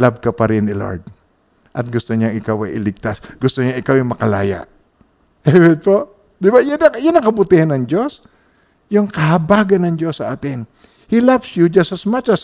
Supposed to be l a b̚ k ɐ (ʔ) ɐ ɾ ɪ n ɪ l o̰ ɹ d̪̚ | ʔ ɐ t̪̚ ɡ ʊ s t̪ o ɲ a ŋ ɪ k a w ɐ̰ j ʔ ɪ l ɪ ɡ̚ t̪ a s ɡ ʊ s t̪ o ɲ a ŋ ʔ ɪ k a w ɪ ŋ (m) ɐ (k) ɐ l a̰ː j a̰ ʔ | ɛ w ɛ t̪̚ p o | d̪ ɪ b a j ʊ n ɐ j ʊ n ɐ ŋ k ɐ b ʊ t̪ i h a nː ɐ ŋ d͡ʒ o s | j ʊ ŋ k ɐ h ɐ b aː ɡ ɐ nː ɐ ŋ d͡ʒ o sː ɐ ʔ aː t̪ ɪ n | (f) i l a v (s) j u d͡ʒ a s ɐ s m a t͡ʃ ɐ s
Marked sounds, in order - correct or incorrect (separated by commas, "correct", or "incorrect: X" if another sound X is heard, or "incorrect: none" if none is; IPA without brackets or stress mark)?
incorrect: p, correct, correct, incorrect: h, correct